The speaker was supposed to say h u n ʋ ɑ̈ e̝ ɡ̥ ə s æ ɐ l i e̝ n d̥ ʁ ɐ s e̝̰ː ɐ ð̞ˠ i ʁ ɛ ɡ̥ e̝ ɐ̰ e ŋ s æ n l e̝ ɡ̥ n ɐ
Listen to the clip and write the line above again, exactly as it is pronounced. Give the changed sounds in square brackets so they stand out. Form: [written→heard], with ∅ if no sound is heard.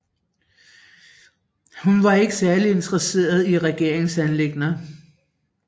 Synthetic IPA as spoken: h u n ʋ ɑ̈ e̝ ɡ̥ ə s æ ɐ l i e̝ n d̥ ʁ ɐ s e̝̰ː ɐ ð̞ˠ i ʁ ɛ ɡ̥ e̝ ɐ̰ e ŋ s æ n l e̝ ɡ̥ n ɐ

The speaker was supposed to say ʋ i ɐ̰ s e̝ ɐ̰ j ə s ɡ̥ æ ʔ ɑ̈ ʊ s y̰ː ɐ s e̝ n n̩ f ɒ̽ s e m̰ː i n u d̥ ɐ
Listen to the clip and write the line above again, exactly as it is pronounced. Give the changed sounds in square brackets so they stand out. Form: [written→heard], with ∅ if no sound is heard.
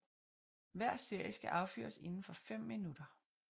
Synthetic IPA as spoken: ʋ [i→æ] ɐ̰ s e̝ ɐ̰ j ə s ɡ̥ æ ʔ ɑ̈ ʊ [s→f] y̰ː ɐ s e̝ n n̩ f ɒ̽ [s→f] e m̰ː i n u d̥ ɐ

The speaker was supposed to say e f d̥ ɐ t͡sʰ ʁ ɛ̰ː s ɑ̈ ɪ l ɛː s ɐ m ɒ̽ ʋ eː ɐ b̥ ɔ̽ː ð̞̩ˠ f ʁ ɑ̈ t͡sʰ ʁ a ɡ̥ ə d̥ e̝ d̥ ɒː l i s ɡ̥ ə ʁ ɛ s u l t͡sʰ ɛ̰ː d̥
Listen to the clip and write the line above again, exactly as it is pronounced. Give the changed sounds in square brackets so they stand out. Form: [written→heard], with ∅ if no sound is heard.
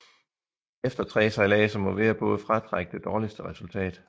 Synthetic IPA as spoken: e f d̥ ɐ t͡sʰ ʁ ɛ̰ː s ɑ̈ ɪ l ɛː s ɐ m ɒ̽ ʋ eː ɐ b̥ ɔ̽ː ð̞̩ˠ f ʁ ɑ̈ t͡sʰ ʁ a ɡ̥ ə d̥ e̝ d̥ ɒː l i s [ɡ̥→d̥] ə ʁ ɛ s u l t͡sʰ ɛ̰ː d̥

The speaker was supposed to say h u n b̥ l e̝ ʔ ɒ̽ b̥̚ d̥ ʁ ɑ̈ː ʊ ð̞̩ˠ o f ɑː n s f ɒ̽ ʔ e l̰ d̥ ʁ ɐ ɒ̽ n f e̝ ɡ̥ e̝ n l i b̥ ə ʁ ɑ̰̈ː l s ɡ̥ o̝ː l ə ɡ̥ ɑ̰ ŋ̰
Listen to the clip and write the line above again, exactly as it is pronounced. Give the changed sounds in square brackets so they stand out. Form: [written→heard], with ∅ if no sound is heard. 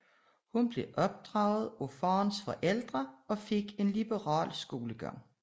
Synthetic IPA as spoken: h u n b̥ l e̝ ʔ ɒ̽ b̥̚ d̥ ʁ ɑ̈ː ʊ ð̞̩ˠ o f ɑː n s f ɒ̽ ʔ e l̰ d̥ ʁ ɐ ɒ̽ [n→∅] f e̝ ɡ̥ e̝ n l i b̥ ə ʁ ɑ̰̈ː l s ɡ̥ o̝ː l ə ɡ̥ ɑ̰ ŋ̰

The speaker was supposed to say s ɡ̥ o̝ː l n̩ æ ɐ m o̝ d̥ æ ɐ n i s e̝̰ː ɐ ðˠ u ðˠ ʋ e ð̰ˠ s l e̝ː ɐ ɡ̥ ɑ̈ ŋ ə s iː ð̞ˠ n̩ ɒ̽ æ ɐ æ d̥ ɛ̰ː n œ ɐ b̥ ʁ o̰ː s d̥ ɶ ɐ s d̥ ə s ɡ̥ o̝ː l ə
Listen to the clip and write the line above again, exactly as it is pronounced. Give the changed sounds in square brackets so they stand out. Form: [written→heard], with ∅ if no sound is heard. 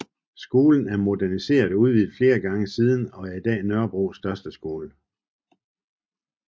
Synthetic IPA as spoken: s ɡ̥ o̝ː l n̩ æ ɐ m o̝ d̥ æ ɐ n i s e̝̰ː ɐ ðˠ u ðˠ ʋ [e→i] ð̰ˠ [s→f] l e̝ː ɐ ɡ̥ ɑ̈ ŋ ə s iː ð̞ˠ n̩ ɒ̽ æ ɐ [æ→i] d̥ ɛ̰ː n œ ɐ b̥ ʁ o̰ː s d̥ ɶ ɐ s d̥ ə s ɡ̥ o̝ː l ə

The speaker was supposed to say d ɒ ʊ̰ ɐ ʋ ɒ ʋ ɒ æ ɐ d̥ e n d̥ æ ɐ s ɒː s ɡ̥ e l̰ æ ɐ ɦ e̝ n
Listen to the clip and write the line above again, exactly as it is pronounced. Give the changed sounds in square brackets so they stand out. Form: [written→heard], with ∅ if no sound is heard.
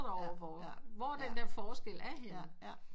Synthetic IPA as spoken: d ɒ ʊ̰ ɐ ʋ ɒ ʋ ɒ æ ɐ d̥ e n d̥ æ ɐ [s→f] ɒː s ɡ̥ e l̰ æ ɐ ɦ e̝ n

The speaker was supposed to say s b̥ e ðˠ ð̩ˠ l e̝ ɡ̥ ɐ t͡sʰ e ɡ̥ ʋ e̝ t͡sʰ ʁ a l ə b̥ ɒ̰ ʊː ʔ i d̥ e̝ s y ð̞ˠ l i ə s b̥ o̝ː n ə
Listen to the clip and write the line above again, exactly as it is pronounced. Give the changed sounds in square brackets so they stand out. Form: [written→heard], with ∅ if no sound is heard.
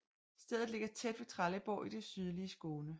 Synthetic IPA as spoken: s [b̥→d̥] e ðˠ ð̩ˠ l e̝ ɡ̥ ɐ t͡sʰ e [ɡ̥→d̥] ʋ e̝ t͡sʰ ʁ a l ə b̥ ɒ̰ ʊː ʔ i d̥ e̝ s y ð̞ˠ l i ə s [b̥→ɡ̥] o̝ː n ə

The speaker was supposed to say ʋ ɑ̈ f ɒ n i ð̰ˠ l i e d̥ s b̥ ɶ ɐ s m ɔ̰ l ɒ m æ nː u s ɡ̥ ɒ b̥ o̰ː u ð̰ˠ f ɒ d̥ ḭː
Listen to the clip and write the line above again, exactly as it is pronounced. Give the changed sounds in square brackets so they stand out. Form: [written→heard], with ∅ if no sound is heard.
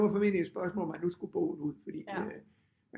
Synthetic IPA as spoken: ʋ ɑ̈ f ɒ [n→m] i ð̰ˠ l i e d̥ s b̥ ɶ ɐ s m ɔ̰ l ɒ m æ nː u s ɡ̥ [ɒ→u] b̥ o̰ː u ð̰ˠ f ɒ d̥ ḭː

